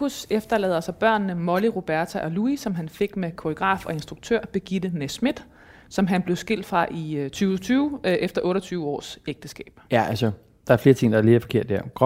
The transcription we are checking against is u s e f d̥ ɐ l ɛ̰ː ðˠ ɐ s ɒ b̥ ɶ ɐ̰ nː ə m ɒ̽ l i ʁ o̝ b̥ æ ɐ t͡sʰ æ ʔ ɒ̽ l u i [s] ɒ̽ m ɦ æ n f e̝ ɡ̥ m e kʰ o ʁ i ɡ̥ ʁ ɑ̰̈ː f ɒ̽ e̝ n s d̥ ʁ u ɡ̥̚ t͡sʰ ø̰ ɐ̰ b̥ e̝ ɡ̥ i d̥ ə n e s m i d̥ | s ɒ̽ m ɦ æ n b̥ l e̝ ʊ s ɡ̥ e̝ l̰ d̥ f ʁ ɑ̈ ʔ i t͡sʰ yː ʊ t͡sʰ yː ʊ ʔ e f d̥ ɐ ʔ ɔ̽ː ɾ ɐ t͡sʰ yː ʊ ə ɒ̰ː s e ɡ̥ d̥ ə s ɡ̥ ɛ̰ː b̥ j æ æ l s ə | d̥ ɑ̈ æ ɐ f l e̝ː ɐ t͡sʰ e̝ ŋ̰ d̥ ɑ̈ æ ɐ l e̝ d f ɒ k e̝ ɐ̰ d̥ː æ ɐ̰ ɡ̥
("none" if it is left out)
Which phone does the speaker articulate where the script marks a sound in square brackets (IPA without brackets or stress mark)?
s